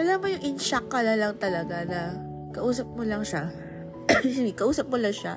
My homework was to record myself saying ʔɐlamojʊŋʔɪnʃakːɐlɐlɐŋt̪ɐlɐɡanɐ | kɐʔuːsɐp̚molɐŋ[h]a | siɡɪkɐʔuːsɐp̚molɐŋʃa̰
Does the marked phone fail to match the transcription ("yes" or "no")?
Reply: yes